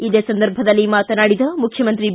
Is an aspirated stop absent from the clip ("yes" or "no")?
no